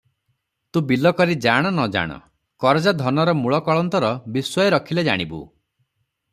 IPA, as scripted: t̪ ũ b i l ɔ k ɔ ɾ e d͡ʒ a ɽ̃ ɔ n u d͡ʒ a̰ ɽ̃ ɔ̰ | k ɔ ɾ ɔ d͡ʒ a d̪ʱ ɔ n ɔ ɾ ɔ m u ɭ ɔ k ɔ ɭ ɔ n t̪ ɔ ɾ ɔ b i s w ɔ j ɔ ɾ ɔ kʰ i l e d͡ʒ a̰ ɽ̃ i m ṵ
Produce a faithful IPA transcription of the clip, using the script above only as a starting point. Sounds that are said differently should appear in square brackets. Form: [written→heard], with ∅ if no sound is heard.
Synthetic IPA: t̪ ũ b i l ɔ k ɔ ɾ [e→i] d͡ʒ a ɽ̃ ɔ n [u→ɔ] d͡ʒ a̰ ɽ̃ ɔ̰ | k ɔ ɾ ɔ d͡ʒ a d̪ʱ ɔ n ɔ ɾ ɔ m u ɭ ɔ k ɔ ɭ ɔ n t̪ ɔ ɾ ɔ b i s w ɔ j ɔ ɾ ɔ kʰ i l e d͡ʒ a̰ ɽ̃ i [m→b] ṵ